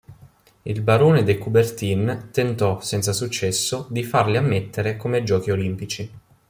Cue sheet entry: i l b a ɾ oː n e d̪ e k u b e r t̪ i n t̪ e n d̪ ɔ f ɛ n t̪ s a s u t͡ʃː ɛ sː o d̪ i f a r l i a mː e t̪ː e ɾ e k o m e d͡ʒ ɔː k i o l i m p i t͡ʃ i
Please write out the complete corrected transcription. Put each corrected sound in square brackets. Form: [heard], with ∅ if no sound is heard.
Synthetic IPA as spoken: i l b a ɾ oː n e d̪ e k u b e r t̪ i n t̪ e n [t̪] ɔ [s] ɛ n t̪ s a s u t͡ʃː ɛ sː o d̪ i f a r l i a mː e t̪ː e ɾ e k o m e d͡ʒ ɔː k i o l i m p i t͡ʃ i